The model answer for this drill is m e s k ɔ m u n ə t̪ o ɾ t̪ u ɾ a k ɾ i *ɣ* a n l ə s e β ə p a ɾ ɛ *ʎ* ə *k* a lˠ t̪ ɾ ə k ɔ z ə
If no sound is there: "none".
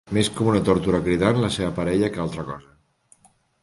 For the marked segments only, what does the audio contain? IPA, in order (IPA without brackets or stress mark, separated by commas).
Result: ð, ʎ, k